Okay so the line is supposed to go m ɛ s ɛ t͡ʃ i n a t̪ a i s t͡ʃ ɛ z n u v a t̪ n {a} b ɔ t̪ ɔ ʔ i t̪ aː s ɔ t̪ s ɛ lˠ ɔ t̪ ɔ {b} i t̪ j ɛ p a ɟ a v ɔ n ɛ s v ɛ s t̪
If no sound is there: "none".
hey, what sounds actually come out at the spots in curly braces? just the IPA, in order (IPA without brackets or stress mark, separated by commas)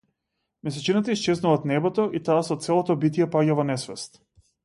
ɛ, b